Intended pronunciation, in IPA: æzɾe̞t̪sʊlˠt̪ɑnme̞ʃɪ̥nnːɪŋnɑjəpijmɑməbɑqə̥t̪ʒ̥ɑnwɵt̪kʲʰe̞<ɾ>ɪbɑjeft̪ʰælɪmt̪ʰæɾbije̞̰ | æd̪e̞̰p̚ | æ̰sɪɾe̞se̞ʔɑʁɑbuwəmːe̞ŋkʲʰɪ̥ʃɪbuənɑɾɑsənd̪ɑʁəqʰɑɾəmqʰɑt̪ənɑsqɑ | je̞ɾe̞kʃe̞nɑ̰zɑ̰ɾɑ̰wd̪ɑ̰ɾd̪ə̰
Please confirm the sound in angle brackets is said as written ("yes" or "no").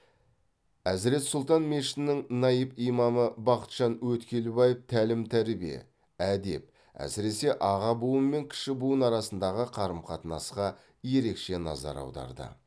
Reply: no